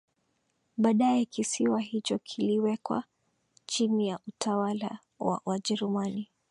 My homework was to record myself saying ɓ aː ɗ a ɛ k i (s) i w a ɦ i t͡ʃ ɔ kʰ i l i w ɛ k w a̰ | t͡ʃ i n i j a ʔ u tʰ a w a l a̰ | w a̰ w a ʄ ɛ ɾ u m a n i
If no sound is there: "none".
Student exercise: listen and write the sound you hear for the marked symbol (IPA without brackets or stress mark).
s